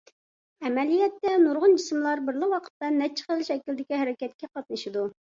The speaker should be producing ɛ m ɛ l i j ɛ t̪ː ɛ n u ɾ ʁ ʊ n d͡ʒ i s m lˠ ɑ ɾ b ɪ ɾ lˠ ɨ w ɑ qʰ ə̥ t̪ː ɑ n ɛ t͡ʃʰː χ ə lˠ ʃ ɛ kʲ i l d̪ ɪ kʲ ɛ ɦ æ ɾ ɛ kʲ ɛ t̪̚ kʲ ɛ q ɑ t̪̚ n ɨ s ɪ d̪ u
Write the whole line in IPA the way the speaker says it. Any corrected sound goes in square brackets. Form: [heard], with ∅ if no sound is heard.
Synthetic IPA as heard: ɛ m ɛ l i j ɛ t̪ː ɛ n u ɾ ʁ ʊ n d͡ʒ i s m lˠ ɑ ɾ b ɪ ɾ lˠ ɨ w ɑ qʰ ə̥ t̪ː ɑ n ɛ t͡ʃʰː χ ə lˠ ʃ ɛ kʲ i l d̪ ɪ kʲ [i] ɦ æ ɾ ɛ kʲ ɛ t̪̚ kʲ ɛ q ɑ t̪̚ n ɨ [ʃ] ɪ d̪ u